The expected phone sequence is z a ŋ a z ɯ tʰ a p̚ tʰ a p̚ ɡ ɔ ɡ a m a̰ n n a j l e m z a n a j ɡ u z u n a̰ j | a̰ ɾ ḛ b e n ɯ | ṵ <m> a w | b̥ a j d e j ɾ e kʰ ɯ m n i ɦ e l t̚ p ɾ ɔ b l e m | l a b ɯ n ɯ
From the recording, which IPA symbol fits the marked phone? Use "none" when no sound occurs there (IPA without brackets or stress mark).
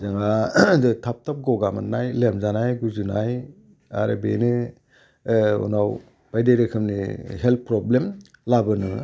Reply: n